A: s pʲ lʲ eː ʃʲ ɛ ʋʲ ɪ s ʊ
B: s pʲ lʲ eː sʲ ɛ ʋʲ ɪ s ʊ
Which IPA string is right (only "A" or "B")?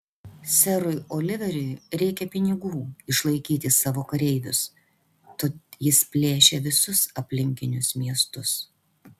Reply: A